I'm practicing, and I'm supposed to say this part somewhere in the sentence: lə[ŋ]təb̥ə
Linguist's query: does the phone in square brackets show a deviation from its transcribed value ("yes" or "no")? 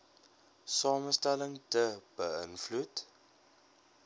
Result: no